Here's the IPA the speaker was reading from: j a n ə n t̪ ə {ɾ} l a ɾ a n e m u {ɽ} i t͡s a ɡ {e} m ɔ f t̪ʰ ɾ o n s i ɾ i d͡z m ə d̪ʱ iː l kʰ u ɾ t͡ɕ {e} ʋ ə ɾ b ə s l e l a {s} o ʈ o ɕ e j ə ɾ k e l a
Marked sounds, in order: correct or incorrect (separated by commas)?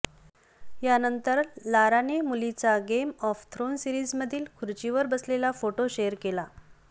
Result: correct, incorrect, correct, incorrect, incorrect